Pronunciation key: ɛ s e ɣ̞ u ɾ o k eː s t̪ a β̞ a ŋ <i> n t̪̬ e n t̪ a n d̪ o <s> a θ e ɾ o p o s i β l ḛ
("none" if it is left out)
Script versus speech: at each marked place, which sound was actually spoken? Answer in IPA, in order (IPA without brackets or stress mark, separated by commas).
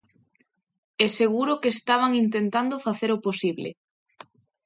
i, f